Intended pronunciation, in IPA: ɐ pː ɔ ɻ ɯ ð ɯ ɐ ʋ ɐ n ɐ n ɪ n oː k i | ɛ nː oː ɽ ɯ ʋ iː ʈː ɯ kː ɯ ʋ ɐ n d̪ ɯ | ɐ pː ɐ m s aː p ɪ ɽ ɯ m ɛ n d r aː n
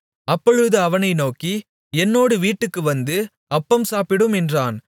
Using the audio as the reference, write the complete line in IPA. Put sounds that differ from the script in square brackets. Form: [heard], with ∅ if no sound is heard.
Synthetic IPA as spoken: ɐ pː ɔ ɻ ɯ ð ɯ ɐ ʋ ɐ n ɐ [∅] ɪ n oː k i | ɛ nː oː ɽ ɯ ʋ iː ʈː ɯ kː ɯ ʋ ɐ n d̪ ɯ | ɐ pː ɐ m s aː p ɪ ɽ ɯ m ɛ n d r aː n

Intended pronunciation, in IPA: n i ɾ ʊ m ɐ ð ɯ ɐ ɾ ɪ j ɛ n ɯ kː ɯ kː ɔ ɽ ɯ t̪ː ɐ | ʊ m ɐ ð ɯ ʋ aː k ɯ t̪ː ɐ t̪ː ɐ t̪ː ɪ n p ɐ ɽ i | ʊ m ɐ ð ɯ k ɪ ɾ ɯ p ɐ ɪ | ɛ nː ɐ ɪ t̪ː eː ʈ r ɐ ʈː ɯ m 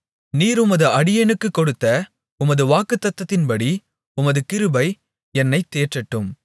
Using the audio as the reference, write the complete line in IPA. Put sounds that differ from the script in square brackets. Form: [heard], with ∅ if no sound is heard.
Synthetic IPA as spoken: n [iː] ɾ ʊ m ɐ ð ɯ ɐ [ɽ] ɪ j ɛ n ɯ kː ɯ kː ɔ ɽ ɯ t̪ː ɐ | ʊ m ɐ ð ɯ ʋ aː k ɯ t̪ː ɐ t̪ː ɐ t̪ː ɪ n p ɐ ɽ i | ʊ m ɐ ð ɯ k ɪ ɾ ɯ [b] ɐ ɪ | ɛ nː ɐ ɪ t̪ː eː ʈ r ɐ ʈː ɯ m

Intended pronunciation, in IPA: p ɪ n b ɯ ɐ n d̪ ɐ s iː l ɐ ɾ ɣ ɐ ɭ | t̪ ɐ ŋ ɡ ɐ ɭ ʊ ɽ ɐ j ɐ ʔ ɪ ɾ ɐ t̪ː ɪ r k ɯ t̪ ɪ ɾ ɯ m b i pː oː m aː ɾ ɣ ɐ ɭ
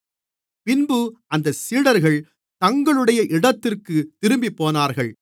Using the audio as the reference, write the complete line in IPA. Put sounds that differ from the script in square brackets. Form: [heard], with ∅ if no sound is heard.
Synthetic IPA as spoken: p ɪ n b ɯ ɐ n d̪ ɐ s iː [ɽ] ɐ ɾ ɣ ɐ ɭ | t̪ ɐ ŋ ɡ ɐ ɭ [ɯ] ɽ ɐ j ɐ ʔ ɪ [ɽ] ɐ t̪ː ɪ r k ɯ t̪ ɪ ɾ ɯ m b i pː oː [n] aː ɾ ɣ ɐ ɭ

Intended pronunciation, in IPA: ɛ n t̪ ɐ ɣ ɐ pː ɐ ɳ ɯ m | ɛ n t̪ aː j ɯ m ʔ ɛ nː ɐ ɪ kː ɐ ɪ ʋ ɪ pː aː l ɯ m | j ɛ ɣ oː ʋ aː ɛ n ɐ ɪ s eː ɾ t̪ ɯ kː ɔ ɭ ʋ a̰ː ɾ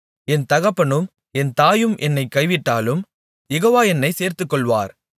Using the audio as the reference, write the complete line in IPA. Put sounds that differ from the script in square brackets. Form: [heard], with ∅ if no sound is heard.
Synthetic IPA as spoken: ɛ n t̪ ɐ ɣ ɐ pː ɐ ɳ ɯ m | ɛ n t̪ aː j ɯ m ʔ ɛ nː ɐ ɪ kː ɐ ɪ ʋ ɪ [ʈː] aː l ɯ m | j ɛ ɣ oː ʋ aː ɛ [nː] ɐ ɪ s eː ɾ t̪ ɯ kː ɔ ɭ ʋ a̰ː ɾ

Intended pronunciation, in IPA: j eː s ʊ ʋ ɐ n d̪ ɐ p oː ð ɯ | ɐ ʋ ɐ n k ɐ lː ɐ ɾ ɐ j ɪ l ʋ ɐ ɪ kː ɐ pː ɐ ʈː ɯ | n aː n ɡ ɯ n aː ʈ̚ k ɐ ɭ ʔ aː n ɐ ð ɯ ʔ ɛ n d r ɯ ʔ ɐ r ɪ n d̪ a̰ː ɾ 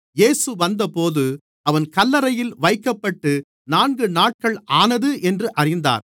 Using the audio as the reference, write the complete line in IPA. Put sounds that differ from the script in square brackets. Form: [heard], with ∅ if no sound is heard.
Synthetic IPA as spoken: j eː s [ɯ] ʋ ɐ n d̪ ɐ p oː ð ɯ | ɐ ʋ ɐ n k ɐ lː ɐ ɾ ɐ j ɪ l ʋ ɐ ɪ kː ɐ pː ɐ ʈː ɯ | n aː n ɡ ɯ n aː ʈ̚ k ɐ ɭ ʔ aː n ɐ ð ɯ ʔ ɛ n d r ɯ ʔ ɐ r ɪ n d̪ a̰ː ɾ

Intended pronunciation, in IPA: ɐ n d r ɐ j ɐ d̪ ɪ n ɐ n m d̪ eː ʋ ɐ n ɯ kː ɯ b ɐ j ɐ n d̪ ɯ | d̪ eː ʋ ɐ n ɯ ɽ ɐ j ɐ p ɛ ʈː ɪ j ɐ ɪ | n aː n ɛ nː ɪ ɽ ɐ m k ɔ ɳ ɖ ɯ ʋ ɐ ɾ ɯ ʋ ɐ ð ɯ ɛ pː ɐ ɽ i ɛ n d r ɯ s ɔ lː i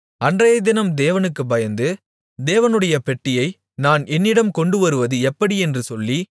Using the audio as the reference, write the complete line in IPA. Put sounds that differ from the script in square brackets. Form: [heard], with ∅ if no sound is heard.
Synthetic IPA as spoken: ɐ n d r ɐ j ɐ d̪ ɪ n ɐ [∅] m d̪ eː ʋ ɐ n ɯ kː ɯ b ɐ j ɐ n d̪ ɯ | d̪ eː ʋ ɐ n ɯ ɽ ɐ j ɐ p ɛ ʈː ɪ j ɐ ɪ | n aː n ɛ nː ɪ ɽ ɐ m k ɔ ɳ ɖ ɯ ʋ ɐ ɾ ɯ ʋ ɐ ð ɯ ɛ pː ɐ ɽ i ɛ n d r ɯ s ɔ lː i

